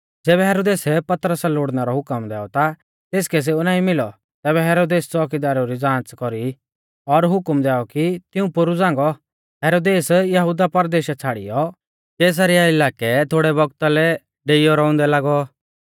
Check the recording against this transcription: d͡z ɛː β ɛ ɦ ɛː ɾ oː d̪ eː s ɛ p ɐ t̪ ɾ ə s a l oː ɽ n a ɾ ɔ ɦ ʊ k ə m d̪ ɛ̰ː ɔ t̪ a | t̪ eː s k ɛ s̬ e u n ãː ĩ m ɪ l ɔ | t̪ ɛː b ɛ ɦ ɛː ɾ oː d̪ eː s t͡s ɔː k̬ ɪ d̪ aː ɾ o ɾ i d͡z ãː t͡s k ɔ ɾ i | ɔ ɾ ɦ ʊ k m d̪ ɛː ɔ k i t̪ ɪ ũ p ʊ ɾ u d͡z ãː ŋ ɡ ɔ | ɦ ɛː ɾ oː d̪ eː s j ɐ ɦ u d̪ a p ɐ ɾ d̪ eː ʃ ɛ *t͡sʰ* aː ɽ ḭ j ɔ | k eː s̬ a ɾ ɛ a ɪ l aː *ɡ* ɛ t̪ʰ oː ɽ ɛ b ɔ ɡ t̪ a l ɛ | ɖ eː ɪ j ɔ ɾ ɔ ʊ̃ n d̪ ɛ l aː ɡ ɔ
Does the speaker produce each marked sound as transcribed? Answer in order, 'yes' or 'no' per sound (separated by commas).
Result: yes, no